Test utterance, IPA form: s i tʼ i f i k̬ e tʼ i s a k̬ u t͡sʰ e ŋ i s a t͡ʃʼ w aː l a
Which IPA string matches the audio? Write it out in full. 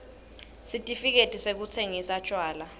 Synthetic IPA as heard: s i tʼ i f i k̬ e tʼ i s e k̬ u t͡sʰ e ŋ i s a t͡ʃʼ w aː l a

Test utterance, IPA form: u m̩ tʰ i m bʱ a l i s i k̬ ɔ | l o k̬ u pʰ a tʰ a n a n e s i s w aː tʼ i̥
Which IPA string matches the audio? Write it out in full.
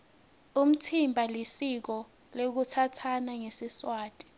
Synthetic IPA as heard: u m̩ tʰ i m bʱ a l i s i k̬ ɔ | l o k̬ u tʰ a tʰ a n a ŋ e s i s w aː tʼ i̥

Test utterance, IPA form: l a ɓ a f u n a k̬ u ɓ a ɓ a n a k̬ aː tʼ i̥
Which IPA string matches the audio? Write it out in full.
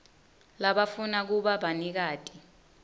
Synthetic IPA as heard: l a ɓ a f u n a k̬ u ɓ a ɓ a n i k̬ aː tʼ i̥

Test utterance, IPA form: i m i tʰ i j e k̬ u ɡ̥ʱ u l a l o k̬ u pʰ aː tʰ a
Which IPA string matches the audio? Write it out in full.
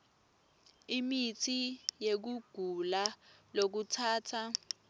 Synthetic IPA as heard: i m i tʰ i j e k̬ u ɡ̥ʱ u l a l o k̬ u tʰ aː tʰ a

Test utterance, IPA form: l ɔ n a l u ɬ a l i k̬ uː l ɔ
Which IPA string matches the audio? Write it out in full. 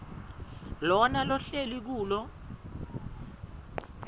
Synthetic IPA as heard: l ɔ n a l ɔ ɬ e l i k̬ uː l ɔ

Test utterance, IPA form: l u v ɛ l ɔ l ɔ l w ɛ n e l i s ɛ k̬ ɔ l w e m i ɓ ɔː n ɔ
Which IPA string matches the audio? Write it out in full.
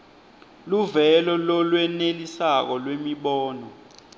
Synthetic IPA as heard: l u v ɛ l ɔ l ɔ l w ɛ n e l i s a k̬ ɔ l w e m i ɓ ɔː n ɔ

